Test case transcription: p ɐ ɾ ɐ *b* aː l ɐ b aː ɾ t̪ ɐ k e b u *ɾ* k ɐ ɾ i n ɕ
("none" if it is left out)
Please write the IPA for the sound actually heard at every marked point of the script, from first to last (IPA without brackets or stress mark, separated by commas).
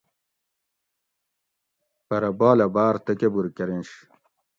b, ɾ